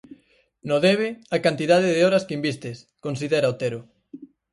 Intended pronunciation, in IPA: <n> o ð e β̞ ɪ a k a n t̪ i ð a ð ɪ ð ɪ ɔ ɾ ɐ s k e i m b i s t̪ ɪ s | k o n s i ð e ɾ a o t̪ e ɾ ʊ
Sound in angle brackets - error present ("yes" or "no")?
no